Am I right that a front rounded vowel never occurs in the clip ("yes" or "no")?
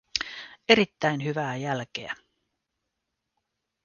no